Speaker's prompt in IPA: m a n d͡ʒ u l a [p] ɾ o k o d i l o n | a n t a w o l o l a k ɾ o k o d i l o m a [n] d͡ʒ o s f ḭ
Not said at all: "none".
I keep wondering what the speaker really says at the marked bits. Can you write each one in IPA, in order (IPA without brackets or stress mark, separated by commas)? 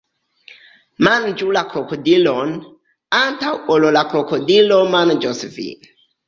k, n